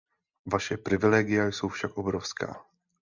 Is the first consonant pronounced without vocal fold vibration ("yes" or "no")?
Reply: no